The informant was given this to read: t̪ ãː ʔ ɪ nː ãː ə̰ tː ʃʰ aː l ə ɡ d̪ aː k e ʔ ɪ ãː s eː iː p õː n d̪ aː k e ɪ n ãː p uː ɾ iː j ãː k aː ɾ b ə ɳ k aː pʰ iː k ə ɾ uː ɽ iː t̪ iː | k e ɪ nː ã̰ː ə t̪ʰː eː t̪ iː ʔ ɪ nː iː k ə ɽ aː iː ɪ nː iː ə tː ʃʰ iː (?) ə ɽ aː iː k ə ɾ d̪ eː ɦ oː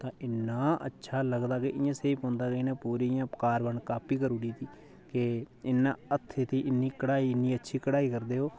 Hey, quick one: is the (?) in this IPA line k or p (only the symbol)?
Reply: k